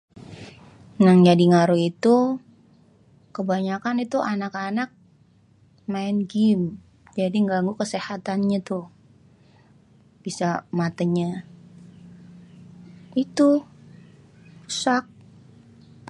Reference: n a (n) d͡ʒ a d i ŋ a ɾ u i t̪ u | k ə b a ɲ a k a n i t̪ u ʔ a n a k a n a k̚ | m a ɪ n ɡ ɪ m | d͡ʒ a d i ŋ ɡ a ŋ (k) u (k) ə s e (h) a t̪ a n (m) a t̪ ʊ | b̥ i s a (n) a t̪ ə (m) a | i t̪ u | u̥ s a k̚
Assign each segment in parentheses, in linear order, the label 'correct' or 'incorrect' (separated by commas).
incorrect, incorrect, correct, correct, incorrect, incorrect, incorrect